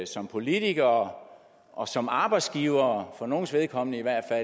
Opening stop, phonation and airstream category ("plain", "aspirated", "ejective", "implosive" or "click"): aspirated